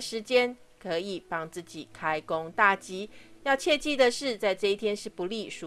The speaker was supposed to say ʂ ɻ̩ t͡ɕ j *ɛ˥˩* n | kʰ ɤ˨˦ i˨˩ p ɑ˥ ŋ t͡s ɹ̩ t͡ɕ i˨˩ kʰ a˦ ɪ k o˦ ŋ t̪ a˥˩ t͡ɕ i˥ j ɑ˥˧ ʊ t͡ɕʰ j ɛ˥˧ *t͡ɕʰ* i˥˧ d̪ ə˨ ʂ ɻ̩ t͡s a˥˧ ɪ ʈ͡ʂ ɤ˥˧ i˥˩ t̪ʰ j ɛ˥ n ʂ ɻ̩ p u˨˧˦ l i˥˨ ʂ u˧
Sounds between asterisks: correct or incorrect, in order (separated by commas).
incorrect, incorrect